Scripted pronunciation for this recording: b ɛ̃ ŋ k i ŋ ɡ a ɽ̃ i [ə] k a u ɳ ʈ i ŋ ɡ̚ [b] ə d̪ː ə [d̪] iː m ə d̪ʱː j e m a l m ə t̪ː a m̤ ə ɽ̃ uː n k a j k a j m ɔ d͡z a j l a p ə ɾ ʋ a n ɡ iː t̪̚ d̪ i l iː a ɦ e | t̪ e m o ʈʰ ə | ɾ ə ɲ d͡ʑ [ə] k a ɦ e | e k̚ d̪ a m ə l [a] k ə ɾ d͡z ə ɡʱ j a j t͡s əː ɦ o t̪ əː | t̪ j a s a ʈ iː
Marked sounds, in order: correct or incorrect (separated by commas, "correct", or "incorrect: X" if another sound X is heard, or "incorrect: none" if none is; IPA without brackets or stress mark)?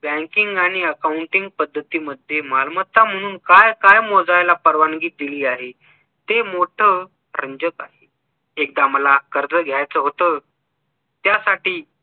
correct, incorrect: p, incorrect: t̪, correct, correct